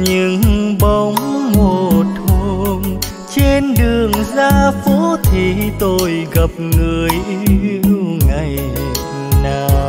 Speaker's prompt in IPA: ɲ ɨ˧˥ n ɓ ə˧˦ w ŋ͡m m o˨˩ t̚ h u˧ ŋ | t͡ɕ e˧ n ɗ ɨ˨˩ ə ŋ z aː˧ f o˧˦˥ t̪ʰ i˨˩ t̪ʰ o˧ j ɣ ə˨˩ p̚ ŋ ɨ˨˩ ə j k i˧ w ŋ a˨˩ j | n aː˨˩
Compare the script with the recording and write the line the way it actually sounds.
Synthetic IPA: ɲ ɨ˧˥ ŋ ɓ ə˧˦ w ŋ͡m m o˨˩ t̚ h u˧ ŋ | t͡ɕ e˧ n ɗ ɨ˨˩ ə ŋ z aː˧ f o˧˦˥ t̪ʰ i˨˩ t̪ o˧ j ɣ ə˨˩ p̚ ŋ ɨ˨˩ ə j ʔ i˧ w ŋ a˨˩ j | n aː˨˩